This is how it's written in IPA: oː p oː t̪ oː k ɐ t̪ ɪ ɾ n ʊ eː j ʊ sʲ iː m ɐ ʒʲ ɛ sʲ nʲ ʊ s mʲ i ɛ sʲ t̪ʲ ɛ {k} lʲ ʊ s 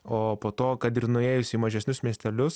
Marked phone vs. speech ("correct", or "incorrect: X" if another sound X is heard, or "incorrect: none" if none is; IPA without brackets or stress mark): incorrect: none